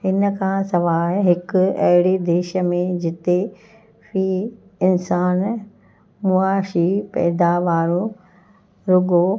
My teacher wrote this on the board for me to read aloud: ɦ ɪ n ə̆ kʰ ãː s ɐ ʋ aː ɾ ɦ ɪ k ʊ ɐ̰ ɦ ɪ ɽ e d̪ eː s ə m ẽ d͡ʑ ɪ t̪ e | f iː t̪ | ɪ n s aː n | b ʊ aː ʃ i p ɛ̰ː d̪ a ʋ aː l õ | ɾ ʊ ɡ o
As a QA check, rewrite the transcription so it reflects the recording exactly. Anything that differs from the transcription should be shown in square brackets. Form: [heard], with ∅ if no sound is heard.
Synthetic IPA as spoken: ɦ ɪ n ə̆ kʰ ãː s ɐ ʋ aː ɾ ɦ ɪ k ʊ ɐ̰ ɦ ɪ ɽ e d̪ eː [ʃ] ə m ẽ d͡ʑ ɪ t̪ e | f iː [∅] | ɪ n s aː n | [m] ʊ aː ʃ i p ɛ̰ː d̪ a ʋ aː [ɾ] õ | ɾ ʊ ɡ o